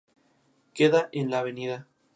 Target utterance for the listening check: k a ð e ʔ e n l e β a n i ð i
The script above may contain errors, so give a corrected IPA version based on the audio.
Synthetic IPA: k e ð a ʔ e n l a β e n i ð a